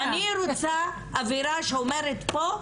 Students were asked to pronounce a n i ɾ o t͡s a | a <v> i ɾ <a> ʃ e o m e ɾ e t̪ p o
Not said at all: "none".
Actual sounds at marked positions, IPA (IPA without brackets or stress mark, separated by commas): v, a